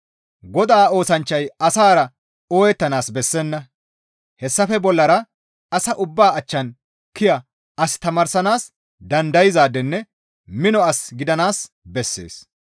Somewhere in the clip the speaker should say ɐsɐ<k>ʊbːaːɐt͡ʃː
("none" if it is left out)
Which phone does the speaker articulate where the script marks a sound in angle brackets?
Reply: ʔ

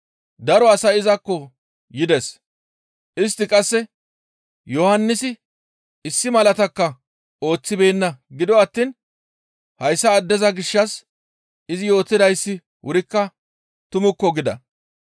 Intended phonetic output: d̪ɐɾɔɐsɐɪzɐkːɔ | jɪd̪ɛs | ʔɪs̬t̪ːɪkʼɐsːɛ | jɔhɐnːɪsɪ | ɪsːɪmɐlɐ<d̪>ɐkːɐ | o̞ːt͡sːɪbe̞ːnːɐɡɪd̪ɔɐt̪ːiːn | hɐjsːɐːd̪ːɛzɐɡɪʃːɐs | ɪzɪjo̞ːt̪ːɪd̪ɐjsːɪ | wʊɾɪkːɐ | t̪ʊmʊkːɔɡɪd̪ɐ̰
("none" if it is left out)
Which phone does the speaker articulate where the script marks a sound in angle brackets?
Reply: t̪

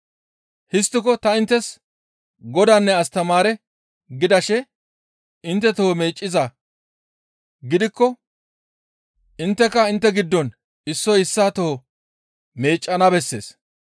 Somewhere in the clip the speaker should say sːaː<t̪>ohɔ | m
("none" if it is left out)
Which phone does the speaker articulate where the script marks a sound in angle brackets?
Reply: t̪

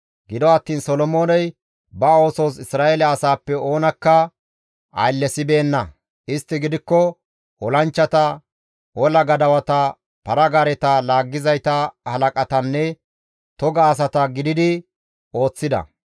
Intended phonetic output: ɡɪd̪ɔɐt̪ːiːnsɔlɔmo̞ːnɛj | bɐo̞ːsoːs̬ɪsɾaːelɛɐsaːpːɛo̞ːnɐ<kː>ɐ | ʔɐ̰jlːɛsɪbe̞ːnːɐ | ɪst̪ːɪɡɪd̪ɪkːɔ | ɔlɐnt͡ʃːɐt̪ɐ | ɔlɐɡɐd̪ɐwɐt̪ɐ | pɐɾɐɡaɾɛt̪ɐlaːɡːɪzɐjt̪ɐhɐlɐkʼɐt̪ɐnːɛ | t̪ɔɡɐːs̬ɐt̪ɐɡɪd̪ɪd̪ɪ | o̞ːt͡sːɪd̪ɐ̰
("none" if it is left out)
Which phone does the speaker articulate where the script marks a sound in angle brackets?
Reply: kː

